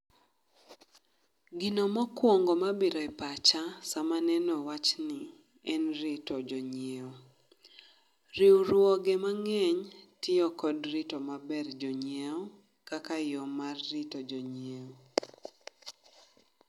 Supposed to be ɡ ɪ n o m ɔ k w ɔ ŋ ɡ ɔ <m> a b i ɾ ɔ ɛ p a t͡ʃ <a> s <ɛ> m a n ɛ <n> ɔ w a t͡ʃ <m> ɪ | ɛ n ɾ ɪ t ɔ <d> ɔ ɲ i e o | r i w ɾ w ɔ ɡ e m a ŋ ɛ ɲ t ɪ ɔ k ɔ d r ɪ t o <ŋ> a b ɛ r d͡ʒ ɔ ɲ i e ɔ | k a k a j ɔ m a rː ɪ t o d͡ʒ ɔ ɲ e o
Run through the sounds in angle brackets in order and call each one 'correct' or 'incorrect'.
correct, correct, incorrect: a, correct, incorrect: n, incorrect: d͡ʒ, incorrect: m

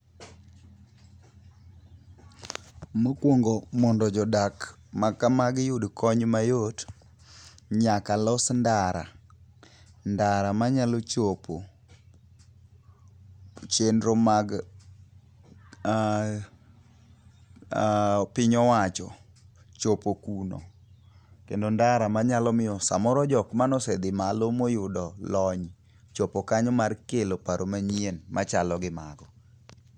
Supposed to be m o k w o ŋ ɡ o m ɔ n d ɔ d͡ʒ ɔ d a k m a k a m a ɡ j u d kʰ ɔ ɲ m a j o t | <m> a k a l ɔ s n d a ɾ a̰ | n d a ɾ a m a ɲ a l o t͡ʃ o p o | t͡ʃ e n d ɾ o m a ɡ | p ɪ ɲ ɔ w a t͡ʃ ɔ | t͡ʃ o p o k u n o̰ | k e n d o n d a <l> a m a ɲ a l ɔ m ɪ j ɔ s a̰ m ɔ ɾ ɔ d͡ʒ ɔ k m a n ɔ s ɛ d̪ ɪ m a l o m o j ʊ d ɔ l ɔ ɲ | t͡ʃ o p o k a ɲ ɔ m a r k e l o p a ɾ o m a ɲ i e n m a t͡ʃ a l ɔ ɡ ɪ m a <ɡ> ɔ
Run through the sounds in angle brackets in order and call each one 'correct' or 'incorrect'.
incorrect: ɲ, incorrect: ɾ, correct

